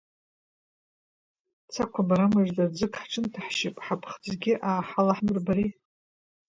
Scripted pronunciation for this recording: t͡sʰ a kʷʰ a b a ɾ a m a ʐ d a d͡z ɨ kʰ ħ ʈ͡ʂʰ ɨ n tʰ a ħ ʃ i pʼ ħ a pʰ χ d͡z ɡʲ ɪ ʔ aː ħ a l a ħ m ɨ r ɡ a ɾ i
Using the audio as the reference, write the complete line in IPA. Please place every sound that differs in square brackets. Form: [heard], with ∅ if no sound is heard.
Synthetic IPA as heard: t͡sʰ a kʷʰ a b a ɾ a m a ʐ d a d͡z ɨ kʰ ħ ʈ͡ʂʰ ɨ n tʰ a ħ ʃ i pʼ ħ a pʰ χ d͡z ɡʲ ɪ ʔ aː ħ a l a ħ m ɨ r [b] a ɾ i